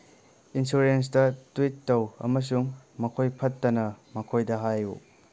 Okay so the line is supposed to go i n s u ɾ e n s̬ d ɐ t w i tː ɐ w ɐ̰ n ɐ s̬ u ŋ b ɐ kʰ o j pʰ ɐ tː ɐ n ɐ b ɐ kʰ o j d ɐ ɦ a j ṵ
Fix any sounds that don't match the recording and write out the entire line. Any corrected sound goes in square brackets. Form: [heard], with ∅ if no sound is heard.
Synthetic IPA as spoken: i n s u ɾ e n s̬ d ɐ t w i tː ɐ w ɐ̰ [m] ɐ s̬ u ŋ [m] ɐ kʰ o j pʰ ɐ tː ɐ n ɐ [m] ɐ kʰ o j d ɐ ɦ a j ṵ